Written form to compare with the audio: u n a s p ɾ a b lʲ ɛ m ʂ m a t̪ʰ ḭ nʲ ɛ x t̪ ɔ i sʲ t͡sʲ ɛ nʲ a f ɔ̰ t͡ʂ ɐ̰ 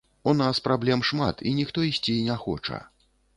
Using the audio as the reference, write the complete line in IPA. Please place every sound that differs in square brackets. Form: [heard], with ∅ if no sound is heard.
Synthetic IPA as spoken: u n a s p ɾ a b lʲ ɛ m ʂ m a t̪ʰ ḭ nʲ [i] x t̪ ɔ i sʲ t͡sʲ [i] nʲ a [x] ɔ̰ t͡ʂ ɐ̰